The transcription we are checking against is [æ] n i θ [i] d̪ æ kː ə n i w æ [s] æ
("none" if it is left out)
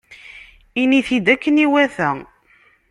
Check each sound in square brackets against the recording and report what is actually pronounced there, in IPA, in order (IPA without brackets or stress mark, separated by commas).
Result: i, i, θ